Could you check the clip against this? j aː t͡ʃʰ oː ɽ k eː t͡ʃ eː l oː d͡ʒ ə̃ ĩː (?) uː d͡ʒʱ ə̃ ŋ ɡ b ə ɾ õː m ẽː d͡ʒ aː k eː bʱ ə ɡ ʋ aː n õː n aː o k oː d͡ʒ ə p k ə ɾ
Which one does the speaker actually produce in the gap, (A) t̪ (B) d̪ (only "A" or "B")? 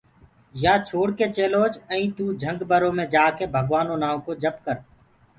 A